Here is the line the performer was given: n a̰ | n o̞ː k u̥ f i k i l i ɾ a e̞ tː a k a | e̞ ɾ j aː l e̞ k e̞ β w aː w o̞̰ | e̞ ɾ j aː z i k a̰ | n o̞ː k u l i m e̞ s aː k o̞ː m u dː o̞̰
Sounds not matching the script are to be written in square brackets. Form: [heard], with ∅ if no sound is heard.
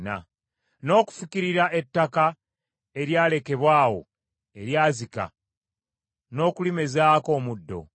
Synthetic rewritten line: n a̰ | n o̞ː k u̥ f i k i [ɾ] i ɾ a e̞ tː a k a | e̞ ɾ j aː l e̞ k e̞ β w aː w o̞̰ | e̞ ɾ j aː z i k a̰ | n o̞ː k u l i m e̞ [z] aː k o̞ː m u dː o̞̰